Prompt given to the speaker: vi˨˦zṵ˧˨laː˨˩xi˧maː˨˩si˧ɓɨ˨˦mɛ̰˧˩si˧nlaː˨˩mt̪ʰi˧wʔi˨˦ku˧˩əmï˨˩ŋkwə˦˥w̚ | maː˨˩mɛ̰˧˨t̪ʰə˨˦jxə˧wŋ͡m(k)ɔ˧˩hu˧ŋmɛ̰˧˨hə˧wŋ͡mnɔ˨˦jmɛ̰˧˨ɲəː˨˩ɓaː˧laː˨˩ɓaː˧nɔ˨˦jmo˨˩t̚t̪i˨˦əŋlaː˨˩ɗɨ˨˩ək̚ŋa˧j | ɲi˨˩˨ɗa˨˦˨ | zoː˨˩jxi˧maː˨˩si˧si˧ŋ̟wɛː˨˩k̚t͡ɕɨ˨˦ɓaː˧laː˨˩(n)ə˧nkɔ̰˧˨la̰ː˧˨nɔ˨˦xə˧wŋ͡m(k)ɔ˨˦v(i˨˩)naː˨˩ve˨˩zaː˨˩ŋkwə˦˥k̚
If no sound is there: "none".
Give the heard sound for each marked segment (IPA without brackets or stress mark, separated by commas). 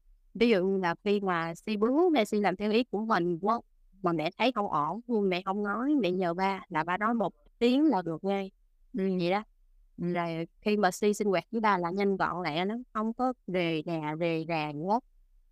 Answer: ʔ, ɲ, k, e˨˩